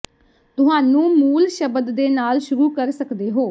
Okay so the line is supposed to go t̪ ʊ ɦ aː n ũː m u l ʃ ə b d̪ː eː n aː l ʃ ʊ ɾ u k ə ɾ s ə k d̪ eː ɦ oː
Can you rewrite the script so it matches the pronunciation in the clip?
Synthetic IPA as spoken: t̪ ʊ ɦ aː n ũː m uː l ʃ ə b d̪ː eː n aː l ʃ ʊ ɾ uː k ə ɾ s ə k d̪ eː ɦ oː